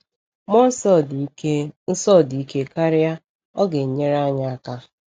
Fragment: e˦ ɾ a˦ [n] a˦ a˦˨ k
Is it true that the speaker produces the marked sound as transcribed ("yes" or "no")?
no